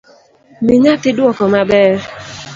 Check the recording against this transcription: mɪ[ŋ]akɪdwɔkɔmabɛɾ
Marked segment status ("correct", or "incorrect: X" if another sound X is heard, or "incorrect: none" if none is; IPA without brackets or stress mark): incorrect: ɲ